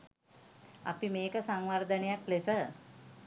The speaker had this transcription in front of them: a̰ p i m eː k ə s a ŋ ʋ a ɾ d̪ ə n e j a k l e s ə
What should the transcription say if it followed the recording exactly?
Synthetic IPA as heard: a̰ p i m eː k ə s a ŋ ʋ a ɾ d̪ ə n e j a k l e s ə

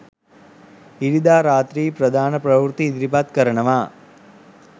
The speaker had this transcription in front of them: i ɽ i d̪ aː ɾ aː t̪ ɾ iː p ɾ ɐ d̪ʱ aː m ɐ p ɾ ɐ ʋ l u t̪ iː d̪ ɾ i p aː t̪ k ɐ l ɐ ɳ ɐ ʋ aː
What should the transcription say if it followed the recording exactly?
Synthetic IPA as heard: i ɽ i d̪ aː ɾ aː t̪ ɾ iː p ɾ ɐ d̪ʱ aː n ɐ p ɾ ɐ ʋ ɾ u t̪ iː d̪ ɾ i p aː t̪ k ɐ ɾ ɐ ɳ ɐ ʋ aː

